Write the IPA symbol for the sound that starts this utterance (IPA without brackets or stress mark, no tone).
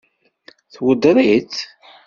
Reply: θ